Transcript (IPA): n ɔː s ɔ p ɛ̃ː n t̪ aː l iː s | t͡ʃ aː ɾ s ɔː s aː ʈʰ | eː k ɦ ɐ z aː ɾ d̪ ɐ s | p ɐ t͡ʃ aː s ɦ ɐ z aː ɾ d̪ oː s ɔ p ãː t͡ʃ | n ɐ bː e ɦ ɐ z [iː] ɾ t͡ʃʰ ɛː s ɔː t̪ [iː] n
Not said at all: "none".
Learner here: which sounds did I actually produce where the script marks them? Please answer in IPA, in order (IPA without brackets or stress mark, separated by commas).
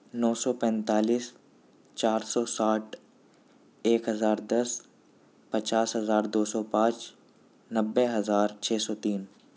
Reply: aː, iː